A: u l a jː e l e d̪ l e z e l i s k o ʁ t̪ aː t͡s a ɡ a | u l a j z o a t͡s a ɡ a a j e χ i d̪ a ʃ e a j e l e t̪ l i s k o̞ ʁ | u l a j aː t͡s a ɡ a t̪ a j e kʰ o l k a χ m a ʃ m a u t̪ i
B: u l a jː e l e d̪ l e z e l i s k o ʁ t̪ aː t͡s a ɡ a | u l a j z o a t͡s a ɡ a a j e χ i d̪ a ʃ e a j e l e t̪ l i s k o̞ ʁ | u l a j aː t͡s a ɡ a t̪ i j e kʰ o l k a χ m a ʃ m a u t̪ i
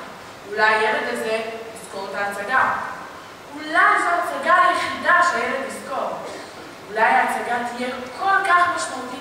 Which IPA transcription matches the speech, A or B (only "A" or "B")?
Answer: B